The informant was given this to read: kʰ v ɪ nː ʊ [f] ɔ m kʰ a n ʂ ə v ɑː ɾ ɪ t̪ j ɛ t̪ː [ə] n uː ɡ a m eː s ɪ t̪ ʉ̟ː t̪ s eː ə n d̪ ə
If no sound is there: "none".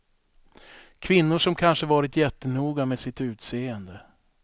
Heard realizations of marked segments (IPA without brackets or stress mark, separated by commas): ʂ, ə